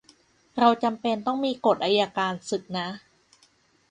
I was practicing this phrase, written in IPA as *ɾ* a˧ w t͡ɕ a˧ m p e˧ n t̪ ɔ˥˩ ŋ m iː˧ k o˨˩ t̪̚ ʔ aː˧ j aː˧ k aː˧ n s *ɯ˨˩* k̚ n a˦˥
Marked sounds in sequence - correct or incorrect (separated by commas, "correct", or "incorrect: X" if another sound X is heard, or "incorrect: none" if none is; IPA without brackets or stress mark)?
correct, correct